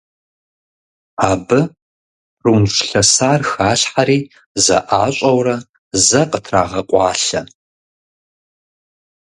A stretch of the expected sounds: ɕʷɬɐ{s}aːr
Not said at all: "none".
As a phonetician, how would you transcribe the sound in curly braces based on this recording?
s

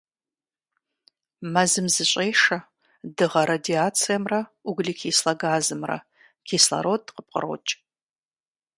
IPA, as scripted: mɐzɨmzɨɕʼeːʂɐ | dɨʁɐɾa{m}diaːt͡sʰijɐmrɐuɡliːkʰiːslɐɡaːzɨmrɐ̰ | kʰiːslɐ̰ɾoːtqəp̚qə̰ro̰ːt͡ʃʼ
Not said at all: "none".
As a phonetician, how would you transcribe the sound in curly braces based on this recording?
none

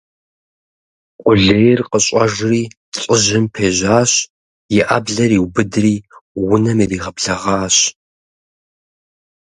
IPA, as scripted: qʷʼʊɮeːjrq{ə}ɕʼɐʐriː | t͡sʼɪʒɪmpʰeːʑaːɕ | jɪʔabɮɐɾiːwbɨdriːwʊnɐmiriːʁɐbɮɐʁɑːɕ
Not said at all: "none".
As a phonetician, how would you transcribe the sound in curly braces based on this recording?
ə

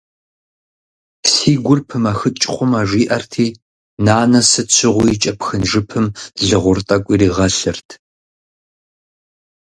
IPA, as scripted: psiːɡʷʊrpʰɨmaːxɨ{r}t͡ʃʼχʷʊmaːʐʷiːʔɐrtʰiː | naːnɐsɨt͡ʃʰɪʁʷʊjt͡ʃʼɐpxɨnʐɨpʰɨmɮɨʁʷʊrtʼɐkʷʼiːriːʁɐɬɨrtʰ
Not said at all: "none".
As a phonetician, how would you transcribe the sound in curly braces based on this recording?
none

